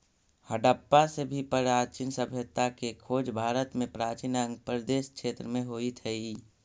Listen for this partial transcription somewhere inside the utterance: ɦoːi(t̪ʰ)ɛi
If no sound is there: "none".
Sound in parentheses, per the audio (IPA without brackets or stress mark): t̪ʰ